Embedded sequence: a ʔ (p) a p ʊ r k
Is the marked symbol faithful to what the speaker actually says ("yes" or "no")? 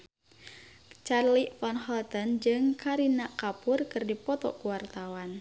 no